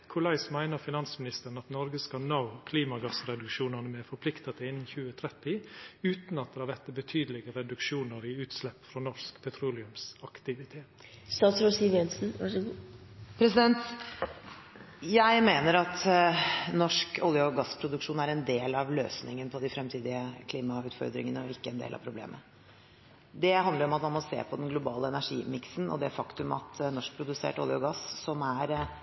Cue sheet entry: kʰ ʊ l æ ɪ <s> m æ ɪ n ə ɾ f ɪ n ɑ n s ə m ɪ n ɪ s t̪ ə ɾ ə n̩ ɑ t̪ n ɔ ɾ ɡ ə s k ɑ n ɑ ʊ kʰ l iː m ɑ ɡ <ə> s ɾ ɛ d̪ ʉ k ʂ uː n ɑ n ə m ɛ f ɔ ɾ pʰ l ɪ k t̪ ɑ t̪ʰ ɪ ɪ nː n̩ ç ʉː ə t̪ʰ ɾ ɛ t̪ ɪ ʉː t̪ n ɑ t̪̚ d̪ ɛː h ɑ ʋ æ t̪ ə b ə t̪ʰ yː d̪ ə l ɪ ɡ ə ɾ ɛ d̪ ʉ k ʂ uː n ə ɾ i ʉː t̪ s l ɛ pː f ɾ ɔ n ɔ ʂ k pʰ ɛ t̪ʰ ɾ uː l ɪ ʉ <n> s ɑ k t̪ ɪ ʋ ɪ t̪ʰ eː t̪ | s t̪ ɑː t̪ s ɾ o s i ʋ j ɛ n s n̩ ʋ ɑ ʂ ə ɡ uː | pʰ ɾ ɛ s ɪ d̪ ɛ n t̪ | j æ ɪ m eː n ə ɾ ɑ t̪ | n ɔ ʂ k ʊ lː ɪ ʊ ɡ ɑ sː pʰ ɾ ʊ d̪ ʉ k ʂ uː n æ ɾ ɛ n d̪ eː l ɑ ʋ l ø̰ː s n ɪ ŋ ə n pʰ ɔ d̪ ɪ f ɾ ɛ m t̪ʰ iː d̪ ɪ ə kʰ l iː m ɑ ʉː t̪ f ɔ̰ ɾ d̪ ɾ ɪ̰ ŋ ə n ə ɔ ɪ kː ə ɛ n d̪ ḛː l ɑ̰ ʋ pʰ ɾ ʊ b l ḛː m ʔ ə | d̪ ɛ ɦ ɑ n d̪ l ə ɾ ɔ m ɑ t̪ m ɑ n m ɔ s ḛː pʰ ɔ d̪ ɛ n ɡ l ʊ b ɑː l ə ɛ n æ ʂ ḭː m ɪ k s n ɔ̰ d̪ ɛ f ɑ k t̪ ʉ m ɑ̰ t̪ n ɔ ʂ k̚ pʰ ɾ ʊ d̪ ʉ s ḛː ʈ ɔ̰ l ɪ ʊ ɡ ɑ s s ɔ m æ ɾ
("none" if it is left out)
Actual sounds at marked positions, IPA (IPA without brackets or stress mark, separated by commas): s, ɑ, m